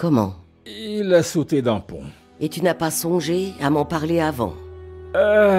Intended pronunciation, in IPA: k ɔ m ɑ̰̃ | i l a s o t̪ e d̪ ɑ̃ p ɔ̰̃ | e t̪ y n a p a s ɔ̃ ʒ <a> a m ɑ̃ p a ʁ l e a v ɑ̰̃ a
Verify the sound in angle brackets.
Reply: incorrect: e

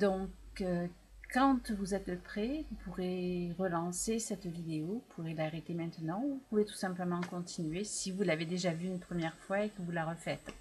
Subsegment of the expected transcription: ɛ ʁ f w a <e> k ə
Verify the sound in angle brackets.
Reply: correct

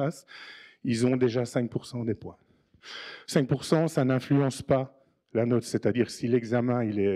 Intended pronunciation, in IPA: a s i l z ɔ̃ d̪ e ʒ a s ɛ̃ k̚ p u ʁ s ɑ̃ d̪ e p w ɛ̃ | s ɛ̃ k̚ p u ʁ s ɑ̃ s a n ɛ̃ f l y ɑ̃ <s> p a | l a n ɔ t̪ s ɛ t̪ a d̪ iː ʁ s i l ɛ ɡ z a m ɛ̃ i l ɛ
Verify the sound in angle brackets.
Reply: correct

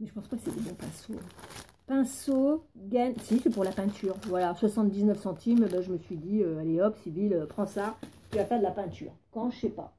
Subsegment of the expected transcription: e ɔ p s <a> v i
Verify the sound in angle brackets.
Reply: incorrect: i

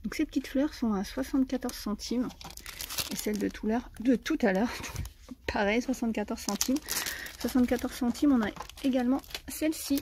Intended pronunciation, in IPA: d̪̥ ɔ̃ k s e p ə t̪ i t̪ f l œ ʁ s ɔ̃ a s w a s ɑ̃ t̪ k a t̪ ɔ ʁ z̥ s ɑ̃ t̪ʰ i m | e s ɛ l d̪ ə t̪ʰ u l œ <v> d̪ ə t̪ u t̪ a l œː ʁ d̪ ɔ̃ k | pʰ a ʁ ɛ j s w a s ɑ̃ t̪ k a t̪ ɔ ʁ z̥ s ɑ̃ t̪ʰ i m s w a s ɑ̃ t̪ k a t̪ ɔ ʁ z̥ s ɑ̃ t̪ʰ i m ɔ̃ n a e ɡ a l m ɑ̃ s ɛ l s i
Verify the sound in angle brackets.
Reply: incorrect: ʁ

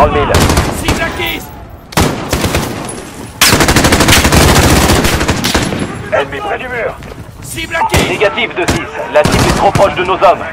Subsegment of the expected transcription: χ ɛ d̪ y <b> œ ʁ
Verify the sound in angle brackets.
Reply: incorrect: m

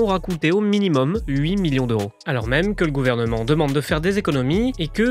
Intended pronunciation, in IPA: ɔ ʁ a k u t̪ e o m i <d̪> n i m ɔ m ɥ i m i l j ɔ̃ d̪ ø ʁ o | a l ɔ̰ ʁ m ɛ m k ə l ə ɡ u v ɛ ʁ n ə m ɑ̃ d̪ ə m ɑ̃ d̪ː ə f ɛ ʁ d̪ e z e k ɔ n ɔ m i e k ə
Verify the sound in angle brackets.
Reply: incorrect: none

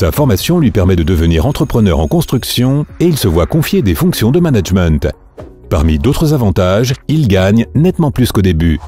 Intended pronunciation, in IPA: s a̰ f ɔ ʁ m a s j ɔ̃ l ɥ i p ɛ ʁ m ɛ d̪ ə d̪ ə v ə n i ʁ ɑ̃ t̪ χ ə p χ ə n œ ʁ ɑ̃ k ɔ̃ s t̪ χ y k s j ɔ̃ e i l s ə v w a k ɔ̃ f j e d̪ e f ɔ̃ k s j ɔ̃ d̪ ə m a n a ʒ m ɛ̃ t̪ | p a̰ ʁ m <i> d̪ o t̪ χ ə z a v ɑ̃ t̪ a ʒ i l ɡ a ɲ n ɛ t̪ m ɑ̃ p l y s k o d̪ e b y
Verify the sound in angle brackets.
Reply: correct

